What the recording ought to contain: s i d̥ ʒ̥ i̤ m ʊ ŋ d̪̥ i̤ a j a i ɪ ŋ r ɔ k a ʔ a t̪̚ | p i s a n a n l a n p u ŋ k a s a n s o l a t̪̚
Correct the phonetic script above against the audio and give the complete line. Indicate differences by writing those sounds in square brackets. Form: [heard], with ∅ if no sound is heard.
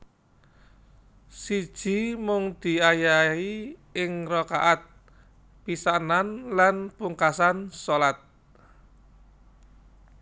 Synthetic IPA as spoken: s i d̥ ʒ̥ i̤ m ʊ ŋ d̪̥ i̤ a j a i ɪ ŋ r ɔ k a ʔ a t̪̚ | p i s a n a n l a n p u ŋ k a s a n s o l a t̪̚